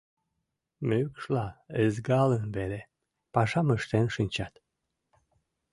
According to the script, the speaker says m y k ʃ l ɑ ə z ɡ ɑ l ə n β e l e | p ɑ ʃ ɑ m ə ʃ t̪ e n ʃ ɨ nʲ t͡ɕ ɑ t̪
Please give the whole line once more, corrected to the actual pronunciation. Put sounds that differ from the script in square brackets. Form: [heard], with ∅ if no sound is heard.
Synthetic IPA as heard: m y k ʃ l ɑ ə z ɡ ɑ l ə n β e l e | p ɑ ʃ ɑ m ə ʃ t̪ e n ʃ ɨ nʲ t͡ɕ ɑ t̪